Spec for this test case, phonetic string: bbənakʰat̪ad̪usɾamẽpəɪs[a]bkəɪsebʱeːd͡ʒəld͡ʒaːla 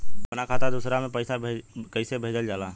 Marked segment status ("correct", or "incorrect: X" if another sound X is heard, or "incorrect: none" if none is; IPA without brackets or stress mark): correct